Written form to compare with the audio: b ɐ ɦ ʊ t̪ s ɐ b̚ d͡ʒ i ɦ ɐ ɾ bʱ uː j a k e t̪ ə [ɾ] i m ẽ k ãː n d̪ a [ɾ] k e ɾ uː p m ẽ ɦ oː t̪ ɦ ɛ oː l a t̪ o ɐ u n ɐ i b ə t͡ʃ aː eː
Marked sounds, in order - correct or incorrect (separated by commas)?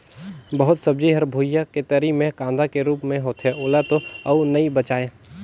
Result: correct, incorrect